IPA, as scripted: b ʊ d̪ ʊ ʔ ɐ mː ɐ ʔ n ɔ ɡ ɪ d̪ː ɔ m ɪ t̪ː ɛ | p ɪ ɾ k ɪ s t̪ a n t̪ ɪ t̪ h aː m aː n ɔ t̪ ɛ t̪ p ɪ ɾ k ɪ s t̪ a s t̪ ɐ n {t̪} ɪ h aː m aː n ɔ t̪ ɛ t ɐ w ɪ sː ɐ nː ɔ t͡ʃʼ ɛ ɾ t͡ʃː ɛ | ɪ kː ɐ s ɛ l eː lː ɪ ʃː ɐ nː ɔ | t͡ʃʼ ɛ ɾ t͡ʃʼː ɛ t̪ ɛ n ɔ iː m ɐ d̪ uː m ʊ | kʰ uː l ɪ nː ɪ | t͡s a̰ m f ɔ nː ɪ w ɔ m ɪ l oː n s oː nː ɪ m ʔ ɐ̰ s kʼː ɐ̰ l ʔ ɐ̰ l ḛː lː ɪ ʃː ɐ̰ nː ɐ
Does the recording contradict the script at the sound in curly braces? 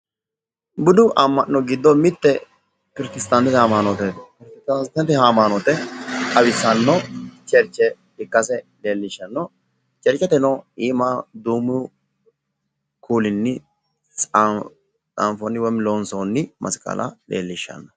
no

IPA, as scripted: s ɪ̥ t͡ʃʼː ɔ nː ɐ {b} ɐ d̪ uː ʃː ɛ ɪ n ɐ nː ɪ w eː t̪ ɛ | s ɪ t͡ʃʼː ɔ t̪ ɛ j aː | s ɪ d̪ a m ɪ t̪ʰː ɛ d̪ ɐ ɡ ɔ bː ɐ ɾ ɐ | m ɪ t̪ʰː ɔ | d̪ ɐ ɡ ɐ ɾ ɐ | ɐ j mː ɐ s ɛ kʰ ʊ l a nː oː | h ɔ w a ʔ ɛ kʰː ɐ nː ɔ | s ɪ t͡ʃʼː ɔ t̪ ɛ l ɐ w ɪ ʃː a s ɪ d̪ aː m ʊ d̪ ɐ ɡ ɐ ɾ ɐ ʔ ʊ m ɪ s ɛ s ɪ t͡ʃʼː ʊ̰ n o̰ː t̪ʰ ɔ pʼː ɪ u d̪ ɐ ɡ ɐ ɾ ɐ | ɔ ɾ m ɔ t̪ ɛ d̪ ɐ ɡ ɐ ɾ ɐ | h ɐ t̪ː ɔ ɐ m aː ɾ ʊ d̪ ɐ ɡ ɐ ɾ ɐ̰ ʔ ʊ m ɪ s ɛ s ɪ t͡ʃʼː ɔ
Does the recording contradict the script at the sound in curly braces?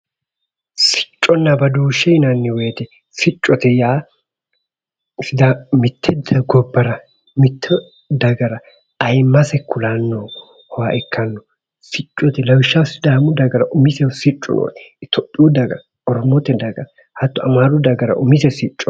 no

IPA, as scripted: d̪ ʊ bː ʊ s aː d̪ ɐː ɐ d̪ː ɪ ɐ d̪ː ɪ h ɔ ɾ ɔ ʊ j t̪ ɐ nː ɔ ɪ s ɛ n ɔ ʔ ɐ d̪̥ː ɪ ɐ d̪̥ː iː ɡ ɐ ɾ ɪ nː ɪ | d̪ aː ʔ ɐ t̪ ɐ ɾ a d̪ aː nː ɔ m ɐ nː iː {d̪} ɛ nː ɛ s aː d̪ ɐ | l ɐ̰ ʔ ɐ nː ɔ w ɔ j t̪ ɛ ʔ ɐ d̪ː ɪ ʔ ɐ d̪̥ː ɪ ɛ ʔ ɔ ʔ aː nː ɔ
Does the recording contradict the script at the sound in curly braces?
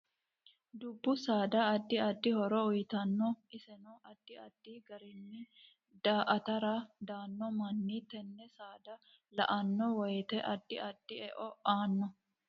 yes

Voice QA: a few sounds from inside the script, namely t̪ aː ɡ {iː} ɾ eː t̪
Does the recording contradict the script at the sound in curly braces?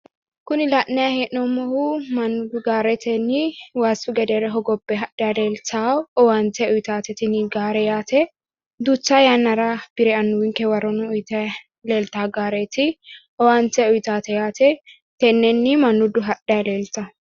yes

